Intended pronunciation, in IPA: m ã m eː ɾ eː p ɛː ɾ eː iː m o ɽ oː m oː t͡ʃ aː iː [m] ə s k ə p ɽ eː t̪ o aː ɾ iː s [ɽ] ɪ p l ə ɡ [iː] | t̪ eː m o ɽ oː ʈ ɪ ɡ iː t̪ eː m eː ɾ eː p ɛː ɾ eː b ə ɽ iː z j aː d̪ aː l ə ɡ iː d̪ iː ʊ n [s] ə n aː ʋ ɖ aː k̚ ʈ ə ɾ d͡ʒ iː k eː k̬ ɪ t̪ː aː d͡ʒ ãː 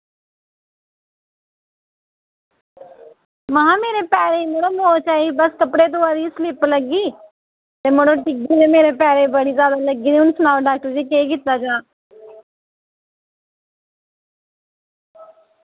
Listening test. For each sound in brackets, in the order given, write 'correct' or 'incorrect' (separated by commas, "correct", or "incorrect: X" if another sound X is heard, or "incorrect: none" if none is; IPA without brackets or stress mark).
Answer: incorrect: b, incorrect: l, correct, correct